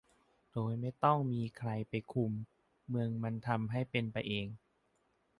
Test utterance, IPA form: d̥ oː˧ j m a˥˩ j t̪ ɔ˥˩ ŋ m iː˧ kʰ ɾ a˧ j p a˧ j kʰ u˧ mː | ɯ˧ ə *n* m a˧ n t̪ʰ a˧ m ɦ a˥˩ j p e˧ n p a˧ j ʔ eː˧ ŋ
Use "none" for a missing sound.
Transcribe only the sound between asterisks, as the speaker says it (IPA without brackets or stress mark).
ŋ